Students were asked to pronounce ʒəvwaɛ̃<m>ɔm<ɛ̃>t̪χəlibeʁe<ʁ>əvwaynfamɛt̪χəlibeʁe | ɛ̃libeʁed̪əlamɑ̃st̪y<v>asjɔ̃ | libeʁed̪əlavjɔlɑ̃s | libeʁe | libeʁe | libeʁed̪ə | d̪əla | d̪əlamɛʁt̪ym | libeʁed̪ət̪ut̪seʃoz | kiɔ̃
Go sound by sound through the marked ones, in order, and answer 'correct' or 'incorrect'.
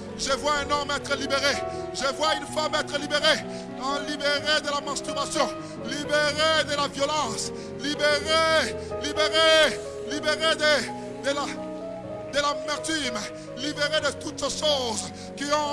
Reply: incorrect: n, incorrect: ɛ, incorrect: ʒ, incorrect: ʁ

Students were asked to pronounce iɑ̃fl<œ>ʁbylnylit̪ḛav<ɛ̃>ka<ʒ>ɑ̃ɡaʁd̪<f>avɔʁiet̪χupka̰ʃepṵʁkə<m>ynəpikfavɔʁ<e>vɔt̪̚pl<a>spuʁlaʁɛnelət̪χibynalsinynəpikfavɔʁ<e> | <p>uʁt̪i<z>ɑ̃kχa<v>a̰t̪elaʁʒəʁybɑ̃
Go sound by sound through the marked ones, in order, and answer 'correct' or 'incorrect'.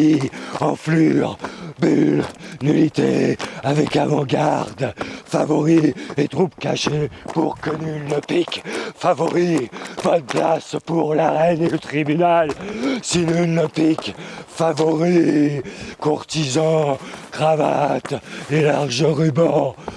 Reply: incorrect: y, incorrect: ɛ, incorrect: v, correct, incorrect: n, incorrect: i, correct, incorrect: i, incorrect: k, correct, correct

